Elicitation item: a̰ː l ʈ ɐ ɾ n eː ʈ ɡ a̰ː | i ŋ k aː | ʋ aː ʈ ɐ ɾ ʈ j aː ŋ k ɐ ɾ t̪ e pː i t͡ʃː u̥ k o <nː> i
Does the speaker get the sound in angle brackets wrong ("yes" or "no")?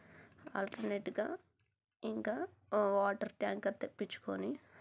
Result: yes